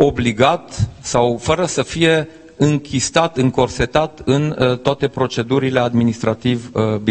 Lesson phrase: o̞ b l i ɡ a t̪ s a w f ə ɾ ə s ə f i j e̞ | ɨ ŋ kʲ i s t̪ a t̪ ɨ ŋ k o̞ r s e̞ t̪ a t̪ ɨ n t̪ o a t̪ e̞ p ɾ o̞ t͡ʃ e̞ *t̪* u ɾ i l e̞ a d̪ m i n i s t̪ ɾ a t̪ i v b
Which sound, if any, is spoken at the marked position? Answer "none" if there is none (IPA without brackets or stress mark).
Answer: d̪